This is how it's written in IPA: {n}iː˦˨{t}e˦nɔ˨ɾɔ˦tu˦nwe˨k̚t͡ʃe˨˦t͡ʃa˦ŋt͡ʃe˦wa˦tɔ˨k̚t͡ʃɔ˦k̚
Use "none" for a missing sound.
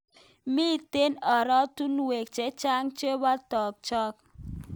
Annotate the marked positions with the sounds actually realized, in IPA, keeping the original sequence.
m, t

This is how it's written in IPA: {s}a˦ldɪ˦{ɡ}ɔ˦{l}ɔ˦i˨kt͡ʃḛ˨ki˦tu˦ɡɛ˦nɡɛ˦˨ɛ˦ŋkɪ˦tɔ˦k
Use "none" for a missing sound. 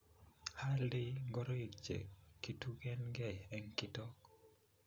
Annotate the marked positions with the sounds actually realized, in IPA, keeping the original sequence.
h, ɡ, ɾ

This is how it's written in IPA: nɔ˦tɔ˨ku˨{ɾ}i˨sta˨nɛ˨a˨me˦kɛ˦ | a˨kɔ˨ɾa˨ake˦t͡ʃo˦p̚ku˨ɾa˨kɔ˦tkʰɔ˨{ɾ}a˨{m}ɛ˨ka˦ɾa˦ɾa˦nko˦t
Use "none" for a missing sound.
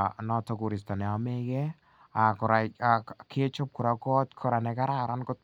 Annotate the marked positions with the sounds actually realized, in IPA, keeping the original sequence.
ɾ, ɾ, n

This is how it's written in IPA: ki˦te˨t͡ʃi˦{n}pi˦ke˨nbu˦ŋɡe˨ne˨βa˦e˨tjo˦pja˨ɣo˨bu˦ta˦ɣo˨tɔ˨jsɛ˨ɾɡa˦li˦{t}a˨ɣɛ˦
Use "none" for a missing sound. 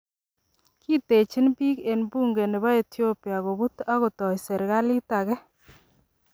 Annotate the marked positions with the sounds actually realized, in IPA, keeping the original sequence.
n, t

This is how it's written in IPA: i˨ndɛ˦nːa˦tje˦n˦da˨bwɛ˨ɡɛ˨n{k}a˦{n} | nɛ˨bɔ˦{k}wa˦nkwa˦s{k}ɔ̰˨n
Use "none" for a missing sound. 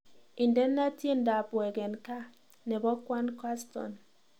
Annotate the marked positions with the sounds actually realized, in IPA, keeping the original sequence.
k, none, k, t

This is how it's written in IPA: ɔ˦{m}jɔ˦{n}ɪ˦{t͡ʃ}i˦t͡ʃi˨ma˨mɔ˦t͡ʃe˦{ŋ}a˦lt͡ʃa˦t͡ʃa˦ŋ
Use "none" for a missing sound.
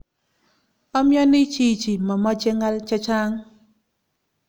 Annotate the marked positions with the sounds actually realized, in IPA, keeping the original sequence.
m, n, t͡ʃ, ŋ

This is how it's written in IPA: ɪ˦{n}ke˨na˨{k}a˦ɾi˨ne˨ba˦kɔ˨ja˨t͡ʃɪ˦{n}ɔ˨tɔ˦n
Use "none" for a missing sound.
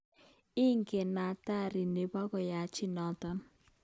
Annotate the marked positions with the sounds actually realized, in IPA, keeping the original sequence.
ŋ, t, n

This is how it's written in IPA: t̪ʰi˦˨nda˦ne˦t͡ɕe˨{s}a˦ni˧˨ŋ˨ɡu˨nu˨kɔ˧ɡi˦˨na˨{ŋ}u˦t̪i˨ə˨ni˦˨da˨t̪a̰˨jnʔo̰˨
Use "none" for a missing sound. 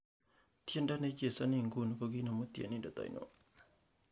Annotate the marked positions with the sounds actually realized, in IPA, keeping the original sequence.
s, m

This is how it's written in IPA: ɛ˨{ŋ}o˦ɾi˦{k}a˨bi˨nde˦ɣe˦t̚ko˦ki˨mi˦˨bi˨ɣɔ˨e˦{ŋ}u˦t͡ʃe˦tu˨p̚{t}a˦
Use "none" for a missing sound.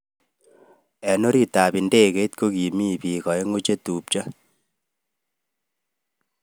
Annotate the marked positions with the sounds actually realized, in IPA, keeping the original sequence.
n, t, ŋ, t͡ʃ

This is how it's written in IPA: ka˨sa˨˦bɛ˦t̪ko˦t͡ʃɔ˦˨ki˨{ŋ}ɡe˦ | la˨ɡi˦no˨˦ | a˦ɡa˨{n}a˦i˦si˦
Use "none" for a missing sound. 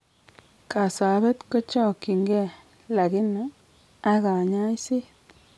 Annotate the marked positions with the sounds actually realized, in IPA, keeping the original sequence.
ŋ, ɲ

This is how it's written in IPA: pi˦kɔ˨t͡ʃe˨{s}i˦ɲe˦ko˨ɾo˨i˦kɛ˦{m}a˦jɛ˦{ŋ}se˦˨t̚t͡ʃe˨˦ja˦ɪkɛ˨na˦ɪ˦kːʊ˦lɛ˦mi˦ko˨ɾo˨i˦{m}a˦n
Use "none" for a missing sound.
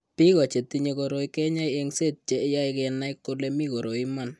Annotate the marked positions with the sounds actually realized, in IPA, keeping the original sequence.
t, ɲ, ŋ, m

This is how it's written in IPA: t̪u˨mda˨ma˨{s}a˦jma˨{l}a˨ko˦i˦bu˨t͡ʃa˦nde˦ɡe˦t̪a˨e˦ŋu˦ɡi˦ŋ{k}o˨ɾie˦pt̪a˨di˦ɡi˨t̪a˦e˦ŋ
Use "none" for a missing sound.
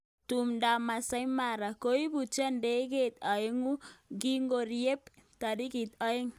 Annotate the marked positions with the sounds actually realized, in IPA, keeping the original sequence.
s, ɾ, ɡ

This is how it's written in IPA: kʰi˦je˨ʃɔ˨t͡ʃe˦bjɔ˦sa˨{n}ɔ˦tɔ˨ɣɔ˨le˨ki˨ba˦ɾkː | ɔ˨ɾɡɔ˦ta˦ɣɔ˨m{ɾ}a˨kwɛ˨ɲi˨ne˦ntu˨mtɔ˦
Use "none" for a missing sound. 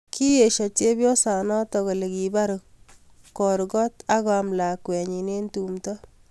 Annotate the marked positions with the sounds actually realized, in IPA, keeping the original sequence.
n, l

